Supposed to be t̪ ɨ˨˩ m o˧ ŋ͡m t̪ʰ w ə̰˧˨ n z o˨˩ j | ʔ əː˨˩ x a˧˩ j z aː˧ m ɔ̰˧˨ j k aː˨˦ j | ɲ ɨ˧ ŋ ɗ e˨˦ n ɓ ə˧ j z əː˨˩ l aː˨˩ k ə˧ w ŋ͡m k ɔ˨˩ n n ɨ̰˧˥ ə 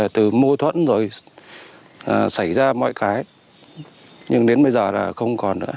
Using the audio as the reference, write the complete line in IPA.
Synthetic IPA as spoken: t̪ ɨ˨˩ m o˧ t̪ʰ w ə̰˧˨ n z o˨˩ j | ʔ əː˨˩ s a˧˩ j z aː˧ m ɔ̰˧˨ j k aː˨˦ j | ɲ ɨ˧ ŋ ɗ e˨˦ n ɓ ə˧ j z əː˨˩ l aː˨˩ x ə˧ w ŋ͡m k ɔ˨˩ n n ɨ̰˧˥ ə